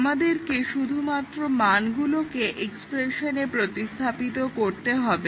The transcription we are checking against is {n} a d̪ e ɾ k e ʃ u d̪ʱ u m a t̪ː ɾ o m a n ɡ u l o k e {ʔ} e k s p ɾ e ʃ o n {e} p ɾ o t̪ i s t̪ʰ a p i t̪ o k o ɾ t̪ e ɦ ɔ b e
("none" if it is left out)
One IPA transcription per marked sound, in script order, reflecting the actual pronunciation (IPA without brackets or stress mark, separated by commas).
m, ʔ, e